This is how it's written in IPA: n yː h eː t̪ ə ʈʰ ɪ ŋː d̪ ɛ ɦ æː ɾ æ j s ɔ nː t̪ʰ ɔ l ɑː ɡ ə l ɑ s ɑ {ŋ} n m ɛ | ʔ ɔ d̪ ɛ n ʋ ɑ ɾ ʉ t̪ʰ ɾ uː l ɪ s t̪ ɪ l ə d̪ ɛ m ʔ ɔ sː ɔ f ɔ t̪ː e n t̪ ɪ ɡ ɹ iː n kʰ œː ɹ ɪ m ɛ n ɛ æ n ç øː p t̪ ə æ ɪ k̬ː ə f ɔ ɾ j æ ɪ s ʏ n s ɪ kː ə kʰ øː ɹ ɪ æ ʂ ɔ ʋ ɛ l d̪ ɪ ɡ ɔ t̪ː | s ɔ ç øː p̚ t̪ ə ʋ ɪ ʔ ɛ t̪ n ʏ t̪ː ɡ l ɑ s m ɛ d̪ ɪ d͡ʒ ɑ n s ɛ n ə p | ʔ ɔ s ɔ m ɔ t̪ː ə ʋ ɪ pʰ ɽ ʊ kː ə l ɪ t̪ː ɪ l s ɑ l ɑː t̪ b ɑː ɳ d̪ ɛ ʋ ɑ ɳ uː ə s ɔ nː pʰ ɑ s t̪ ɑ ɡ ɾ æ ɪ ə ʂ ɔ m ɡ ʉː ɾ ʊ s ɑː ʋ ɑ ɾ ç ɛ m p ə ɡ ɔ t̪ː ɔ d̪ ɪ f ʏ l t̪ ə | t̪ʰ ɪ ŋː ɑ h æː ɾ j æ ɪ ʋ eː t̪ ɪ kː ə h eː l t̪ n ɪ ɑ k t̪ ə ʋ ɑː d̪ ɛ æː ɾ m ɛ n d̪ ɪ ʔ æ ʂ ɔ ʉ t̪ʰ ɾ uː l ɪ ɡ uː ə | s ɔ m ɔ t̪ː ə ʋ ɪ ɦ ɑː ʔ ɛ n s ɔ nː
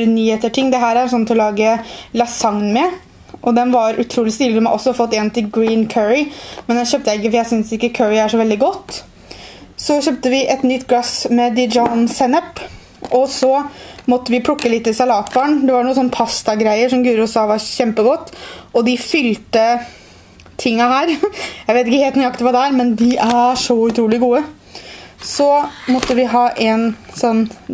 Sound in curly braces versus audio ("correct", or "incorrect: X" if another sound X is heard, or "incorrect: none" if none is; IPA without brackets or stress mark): correct